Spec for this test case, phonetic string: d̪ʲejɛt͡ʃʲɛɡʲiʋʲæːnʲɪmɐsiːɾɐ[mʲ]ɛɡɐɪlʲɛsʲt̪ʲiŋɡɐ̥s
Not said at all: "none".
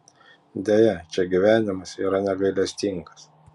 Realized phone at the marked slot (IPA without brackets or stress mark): nʲ